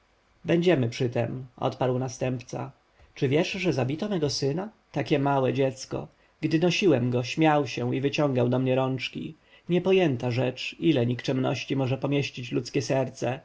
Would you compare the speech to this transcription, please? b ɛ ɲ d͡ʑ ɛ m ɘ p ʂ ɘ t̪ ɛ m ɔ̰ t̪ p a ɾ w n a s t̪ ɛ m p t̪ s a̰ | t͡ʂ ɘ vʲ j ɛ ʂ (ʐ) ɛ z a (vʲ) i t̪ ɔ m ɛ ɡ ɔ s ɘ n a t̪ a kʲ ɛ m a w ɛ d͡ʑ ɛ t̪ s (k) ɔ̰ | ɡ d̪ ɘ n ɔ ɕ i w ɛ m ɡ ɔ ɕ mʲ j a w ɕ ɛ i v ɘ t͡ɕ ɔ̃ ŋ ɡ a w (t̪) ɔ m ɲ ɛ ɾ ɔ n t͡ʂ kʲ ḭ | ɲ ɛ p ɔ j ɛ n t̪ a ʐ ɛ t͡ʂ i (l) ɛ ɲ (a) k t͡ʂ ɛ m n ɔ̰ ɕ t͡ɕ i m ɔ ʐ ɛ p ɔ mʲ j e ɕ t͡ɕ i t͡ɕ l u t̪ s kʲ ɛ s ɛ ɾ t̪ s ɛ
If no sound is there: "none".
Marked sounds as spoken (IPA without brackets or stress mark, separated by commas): ʐ, bʲ, k, d̪, l, i